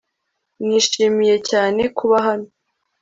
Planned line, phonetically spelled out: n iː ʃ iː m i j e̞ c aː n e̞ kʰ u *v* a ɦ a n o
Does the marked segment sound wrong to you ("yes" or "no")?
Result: yes